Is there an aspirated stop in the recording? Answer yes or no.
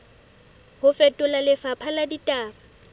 yes